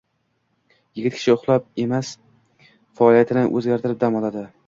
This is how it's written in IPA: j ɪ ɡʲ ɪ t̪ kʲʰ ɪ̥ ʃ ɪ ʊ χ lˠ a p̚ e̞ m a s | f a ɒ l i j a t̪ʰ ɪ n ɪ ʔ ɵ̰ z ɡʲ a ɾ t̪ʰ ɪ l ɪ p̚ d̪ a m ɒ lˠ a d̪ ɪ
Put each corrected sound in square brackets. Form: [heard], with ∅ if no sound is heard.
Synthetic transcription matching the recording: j ɪ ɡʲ ɪ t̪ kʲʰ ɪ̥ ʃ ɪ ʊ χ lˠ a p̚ e̞ m a s | f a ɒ l i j a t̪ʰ ɪ n ɪ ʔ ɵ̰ z ɡʲ a ɾ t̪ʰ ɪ [ɾ] ɪ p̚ d̪ a m ɒ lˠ a d̪ ɪ

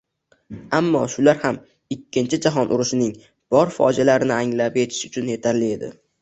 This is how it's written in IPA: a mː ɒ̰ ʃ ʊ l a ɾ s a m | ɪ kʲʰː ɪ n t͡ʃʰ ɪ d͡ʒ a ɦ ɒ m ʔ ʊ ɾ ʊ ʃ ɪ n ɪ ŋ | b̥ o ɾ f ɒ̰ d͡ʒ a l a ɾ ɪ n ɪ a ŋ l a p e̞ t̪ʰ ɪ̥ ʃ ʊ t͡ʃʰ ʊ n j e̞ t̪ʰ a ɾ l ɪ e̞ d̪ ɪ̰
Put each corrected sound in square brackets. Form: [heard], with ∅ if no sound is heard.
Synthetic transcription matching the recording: a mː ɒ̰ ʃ ʊ l a ɾ [h] a m | ɪ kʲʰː ɪ n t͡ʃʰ ɪ d͡ʒ a ɦ ɒ [n] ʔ ʊ ɾ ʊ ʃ ɪ n ɪ ŋ | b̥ [ɒ] ɾ f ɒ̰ d͡ʒ a l a ɾ ɪ n ɪ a ŋ l a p e̞ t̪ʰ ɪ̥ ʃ ʊ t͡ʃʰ ʊ n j e̞ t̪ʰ a ɾ l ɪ e̞ d̪ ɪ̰

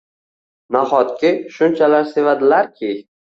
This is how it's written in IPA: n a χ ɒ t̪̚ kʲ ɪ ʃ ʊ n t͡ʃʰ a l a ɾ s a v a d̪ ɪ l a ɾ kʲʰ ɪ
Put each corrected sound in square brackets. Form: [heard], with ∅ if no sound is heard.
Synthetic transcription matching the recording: n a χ ɒ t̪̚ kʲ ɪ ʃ ʊ n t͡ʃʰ a l a ɾ s [e] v a d̪ ɪ l a ɾ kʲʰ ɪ

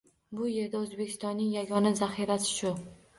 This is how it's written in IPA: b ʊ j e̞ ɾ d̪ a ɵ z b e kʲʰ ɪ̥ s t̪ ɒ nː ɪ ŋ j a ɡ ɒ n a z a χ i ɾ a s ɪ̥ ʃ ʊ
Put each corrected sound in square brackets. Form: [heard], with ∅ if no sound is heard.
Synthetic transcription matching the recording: b ʊ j e̞ ɾ d̪ a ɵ z b e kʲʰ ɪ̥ s t̪ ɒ nː ɪ ŋ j a ɡ ɒ n a z a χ i ɾ a s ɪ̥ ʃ ʊ

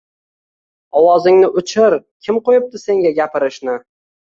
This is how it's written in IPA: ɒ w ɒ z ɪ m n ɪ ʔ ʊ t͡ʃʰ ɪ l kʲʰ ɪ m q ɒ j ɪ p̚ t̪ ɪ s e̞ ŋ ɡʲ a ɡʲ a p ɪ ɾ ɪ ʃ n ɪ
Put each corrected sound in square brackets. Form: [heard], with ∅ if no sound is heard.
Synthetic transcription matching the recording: ɒ w ɒ z ɪ [ŋ] n ɪ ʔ ʊ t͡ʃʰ ɪ [ɾ] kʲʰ ɪ m q [o] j ɪ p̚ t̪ ɪ s e̞ ŋ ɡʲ a ɡʲ a p ɪ ɾ ɪ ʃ n ɪ

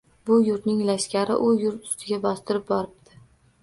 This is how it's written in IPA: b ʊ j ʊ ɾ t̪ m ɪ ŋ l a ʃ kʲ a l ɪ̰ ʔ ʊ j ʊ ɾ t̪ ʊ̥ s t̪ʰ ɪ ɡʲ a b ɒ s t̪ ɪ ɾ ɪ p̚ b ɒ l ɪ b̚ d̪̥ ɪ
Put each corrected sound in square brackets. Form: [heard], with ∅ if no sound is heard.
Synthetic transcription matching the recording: b ʊ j ʊ ɾ t̪ [n] ɪ ŋ l a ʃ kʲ a [ɾ] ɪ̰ ʔ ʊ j ʊ ɾ t̪ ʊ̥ s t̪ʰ ɪ ɡʲ a b ɒ s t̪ ɪ ɾ ɪ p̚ b ɒ [ɾ] ɪ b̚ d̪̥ ɪ

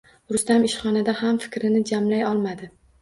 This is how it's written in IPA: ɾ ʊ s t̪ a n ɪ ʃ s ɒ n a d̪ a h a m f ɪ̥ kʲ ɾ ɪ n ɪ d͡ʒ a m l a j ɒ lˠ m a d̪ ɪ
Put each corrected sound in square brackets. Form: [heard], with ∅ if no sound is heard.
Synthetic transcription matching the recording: ɾ ʊ s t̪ a [m] ɪ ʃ [χ] ɒ n a d̪ a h a m f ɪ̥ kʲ ɾ ɪ n ɪ d͡ʒ a m l a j ɒ lˠ m a d̪ ɪ

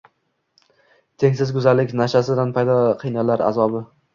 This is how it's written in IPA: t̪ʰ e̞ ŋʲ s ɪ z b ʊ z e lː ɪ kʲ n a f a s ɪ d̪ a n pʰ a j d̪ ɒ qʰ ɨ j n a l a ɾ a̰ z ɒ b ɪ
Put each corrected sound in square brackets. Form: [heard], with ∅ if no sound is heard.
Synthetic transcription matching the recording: t̪ʰ e̞ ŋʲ s ɪ z [ɡ] ʊ z [a] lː ɪ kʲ n a [ʃ] a s ɪ d̪ a n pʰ a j d̪ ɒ qʰ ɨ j n a l a ɾ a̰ z ɒ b ɪ

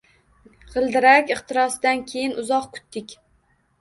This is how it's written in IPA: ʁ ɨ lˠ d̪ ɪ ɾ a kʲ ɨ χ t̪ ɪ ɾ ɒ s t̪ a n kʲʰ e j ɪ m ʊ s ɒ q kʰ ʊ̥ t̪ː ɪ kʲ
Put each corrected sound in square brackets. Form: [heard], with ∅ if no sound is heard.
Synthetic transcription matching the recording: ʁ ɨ lˠ d̪ ɪ ɾ a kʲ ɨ χ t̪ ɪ ɾ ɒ s [d̪] a n kʲʰ e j ɪ [n] ʊ [z] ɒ q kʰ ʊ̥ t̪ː ɪ kʲ

